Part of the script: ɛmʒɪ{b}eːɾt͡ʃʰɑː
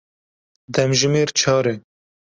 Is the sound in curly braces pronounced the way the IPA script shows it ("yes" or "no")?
no